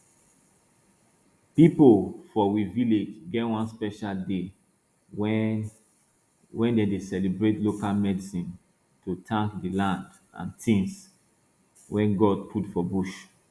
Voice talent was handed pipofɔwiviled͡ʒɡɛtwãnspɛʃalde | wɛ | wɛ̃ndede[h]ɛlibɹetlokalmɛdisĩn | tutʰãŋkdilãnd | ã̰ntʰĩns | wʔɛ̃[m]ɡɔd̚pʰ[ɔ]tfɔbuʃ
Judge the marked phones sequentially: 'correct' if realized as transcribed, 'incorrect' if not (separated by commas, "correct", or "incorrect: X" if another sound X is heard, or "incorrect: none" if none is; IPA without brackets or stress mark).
incorrect: s, incorrect: n, incorrect: u